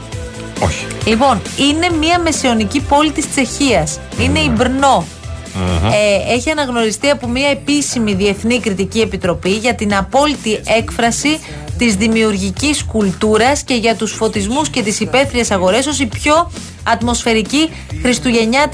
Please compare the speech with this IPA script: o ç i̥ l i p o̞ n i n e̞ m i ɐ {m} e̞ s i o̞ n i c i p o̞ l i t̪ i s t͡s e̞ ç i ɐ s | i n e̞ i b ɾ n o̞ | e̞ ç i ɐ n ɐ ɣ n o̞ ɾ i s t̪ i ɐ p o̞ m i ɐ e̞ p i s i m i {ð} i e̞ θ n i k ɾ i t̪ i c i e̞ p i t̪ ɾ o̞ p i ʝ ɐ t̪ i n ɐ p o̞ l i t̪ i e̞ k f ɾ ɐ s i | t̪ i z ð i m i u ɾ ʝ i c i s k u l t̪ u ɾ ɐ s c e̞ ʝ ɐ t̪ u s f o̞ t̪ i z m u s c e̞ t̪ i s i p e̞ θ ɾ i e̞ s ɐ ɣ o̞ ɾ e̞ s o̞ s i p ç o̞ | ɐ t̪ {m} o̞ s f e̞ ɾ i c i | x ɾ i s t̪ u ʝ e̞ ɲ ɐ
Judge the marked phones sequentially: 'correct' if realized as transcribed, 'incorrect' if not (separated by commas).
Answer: correct, correct, correct